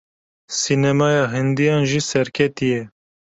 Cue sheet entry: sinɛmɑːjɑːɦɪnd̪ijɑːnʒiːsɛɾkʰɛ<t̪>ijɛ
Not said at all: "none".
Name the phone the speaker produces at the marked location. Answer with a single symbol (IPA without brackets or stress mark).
t̪